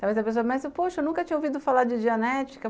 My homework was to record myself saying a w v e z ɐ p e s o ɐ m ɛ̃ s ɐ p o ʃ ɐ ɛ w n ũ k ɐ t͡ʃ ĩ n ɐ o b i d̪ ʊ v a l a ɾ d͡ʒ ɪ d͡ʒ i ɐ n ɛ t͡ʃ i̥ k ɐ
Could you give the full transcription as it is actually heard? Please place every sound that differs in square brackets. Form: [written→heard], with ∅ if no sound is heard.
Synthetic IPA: a w v e z ɐ p e s o ɐ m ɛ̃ s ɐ p o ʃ ɐ [ɛ→e] w n ũ k ɐ t͡ʃ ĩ [n→ɲ] ɐ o [b→v] i d̪ ʊ [v→f] a l a ɾ d͡ʒ ɪ d͡ʒ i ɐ n ɛ t͡ʃ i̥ k ɐ